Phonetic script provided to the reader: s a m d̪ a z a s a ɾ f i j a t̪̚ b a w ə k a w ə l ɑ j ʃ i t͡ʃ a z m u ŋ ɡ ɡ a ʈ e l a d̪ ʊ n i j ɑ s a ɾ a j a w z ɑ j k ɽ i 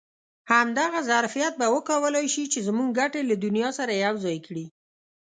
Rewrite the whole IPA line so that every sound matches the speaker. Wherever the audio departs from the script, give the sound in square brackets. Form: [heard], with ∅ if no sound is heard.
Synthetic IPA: [h] a m d̪ a [ɣ] a [z] a ɾ f i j a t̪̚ b a w ə k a w ə l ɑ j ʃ i t͡ʃ [e] z m u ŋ ɡ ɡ a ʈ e l a d̪ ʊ n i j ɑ s a ɾ a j a w z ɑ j k ɽ i